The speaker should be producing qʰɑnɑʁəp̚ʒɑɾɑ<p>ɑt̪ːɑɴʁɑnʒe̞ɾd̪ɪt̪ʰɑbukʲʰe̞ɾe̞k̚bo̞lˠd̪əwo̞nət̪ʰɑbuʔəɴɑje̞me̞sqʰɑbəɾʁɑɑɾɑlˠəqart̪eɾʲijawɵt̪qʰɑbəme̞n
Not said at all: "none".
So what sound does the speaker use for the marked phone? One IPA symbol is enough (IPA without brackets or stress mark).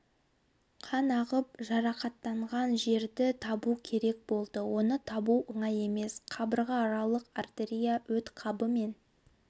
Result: q